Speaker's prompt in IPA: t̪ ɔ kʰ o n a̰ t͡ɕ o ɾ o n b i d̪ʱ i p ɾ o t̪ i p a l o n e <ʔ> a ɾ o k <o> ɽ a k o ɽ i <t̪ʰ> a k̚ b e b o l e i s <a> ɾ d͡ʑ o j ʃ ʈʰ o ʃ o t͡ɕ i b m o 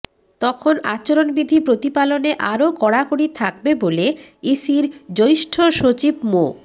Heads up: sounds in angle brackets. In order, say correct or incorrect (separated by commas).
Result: correct, incorrect, correct, incorrect